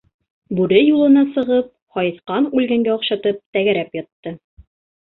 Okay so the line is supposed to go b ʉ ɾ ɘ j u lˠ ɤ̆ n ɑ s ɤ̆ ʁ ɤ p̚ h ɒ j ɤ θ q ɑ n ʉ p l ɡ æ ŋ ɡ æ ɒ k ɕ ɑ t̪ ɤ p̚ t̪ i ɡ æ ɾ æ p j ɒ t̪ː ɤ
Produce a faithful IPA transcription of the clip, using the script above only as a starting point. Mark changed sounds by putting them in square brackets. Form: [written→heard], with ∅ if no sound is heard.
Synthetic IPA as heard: b ʉ ɾ ɘ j u lˠ ɤ̆ n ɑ s ɤ̆ ʁ ɤ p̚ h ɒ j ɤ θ q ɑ n ʉ [p→∅] l ɡ æ ŋ ɡ æ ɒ [k→q] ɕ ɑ t̪ ɤ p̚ t̪ [i→æ] ɡ æ ɾ æ p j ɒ t̪ː ɤ